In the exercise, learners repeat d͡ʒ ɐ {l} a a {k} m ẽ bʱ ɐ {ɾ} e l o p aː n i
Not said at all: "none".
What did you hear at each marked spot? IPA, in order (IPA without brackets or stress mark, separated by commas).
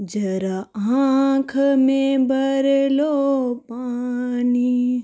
ɾ, kʰ, ɾ